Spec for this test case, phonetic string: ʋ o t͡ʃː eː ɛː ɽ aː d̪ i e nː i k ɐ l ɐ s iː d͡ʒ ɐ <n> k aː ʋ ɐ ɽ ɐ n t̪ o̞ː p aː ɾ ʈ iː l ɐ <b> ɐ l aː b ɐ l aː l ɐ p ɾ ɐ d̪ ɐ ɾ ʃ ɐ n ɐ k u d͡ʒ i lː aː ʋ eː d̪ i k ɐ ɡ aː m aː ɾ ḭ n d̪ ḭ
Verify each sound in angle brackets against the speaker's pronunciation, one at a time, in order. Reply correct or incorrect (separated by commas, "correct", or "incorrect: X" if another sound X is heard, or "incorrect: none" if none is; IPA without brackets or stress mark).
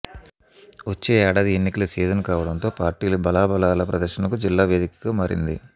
correct, correct